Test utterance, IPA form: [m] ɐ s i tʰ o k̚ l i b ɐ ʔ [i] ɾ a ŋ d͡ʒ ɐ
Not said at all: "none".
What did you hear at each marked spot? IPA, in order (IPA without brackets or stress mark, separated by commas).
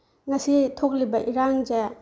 ŋ, i